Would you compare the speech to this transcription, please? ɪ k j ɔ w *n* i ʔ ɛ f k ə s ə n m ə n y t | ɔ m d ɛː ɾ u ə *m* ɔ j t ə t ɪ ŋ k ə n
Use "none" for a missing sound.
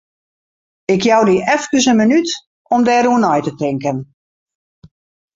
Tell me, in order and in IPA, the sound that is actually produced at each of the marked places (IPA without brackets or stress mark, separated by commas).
d, n